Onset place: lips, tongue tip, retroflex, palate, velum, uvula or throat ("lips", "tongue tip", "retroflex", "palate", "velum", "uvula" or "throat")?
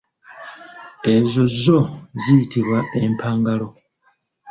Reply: tongue tip